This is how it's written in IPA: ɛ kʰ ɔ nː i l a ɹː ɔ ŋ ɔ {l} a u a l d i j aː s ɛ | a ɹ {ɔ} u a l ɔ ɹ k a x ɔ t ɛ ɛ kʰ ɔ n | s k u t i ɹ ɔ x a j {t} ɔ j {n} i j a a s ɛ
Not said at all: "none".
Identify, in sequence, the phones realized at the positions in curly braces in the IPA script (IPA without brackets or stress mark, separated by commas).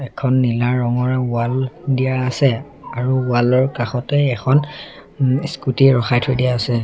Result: ɹ, u, tʰ, d